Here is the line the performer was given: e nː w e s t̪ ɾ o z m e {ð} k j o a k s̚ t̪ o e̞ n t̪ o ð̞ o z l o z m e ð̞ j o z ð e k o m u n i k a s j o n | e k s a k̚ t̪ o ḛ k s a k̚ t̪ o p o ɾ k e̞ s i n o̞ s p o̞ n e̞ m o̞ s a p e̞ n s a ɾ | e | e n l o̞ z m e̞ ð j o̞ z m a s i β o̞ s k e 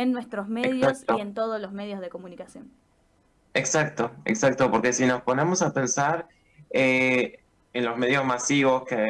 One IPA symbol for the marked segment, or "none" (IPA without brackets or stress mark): ð